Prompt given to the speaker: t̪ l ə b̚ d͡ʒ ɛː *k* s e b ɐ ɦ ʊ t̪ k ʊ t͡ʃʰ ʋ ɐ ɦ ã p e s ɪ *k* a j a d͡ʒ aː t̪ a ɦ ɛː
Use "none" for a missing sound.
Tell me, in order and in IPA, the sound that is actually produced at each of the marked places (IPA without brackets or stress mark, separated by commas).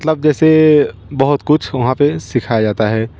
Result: none, kʰ